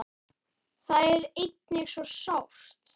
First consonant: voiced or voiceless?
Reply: voiceless